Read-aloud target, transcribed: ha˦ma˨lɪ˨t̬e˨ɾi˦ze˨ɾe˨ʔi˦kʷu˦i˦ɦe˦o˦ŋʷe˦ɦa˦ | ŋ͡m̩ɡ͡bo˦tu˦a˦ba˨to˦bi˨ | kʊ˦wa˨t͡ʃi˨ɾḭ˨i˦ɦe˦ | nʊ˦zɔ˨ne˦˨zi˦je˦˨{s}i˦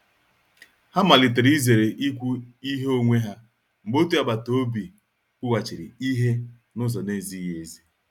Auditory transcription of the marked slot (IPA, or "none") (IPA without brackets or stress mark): z